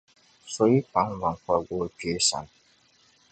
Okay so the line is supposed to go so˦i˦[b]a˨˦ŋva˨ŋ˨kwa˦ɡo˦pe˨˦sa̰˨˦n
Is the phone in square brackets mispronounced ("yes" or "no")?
yes